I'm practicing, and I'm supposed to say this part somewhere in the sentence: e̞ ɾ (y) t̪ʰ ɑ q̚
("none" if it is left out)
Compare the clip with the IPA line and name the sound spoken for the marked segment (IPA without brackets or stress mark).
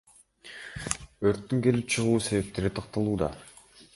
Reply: i